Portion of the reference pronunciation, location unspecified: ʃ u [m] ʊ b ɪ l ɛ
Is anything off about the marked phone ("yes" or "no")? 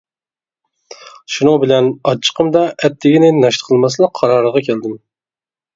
yes